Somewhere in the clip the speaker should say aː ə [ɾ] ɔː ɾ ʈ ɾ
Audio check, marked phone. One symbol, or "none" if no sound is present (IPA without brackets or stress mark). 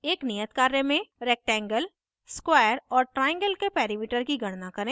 ɾ